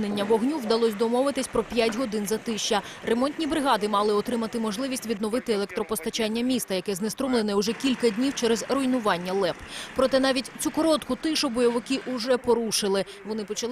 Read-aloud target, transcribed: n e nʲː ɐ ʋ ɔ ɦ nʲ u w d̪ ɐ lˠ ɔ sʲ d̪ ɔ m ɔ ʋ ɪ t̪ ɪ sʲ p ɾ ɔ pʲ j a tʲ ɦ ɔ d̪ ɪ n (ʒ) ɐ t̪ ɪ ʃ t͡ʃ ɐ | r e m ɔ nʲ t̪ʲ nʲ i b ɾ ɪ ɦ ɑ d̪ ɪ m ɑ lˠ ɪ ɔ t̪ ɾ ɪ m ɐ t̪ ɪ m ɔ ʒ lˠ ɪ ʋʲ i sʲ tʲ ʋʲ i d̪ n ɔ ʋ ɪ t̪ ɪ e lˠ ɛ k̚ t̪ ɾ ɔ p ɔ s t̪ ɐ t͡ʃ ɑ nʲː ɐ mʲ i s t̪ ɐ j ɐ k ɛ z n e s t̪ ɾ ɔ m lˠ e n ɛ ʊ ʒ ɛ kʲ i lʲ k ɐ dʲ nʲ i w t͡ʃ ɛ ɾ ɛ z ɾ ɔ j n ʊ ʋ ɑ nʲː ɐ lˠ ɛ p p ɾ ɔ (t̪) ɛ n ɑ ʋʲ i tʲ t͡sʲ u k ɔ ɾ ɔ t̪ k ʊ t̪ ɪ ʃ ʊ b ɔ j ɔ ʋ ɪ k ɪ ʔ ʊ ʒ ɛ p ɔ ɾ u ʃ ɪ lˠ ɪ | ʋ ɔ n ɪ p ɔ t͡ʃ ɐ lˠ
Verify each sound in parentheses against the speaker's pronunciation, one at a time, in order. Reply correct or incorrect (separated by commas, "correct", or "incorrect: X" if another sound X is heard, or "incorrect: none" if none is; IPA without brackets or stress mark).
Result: incorrect: z, correct